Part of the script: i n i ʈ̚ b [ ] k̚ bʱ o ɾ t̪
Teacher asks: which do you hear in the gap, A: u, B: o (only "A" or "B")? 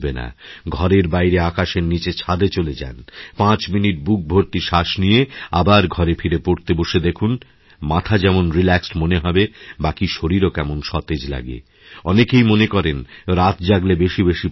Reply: A